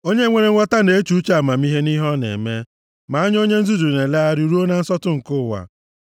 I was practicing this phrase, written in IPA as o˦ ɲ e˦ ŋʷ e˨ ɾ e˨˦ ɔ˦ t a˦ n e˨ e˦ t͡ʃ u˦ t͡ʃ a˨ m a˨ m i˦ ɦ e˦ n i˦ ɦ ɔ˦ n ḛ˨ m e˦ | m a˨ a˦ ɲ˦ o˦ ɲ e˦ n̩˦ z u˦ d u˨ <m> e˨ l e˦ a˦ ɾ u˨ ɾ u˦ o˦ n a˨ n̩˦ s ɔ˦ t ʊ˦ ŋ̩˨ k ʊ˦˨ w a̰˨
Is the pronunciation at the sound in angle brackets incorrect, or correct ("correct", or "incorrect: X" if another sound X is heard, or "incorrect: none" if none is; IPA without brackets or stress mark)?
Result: incorrect: n